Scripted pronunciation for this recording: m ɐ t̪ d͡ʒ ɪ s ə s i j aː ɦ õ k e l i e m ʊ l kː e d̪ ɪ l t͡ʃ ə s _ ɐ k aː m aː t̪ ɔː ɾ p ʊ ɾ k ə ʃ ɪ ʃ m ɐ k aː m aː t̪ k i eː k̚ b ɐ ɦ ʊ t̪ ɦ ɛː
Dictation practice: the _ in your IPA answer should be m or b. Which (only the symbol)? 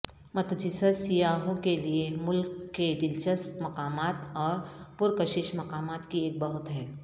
m